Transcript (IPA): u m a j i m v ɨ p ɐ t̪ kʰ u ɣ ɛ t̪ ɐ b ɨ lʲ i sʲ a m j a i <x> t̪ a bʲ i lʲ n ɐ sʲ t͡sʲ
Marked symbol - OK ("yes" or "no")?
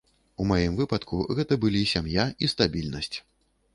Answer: no